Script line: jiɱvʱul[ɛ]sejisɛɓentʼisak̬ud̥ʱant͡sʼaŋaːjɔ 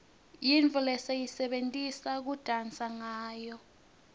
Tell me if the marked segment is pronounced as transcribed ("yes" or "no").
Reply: yes